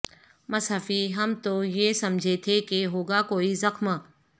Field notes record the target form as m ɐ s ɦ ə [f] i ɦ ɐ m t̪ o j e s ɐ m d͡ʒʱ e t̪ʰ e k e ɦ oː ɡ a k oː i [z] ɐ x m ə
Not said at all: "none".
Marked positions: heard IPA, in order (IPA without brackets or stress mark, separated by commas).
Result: f, z